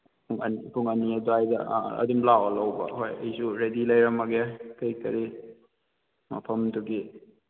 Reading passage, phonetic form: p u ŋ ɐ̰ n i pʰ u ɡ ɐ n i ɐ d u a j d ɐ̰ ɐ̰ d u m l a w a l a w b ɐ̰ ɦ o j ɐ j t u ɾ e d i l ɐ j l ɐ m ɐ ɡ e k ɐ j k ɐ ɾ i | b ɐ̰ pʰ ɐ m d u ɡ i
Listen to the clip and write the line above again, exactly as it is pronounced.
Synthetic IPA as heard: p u ŋ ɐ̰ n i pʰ u ŋ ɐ n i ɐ d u a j d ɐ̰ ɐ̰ d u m l a w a l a w b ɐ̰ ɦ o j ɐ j s u ɾ e d i l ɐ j ɾ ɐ m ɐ ɡ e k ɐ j k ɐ ɾ i | m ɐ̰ pʰ ɐ m d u ɡ i